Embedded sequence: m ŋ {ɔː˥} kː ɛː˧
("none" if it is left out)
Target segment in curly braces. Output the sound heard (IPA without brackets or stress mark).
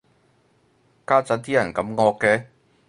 ɔː˧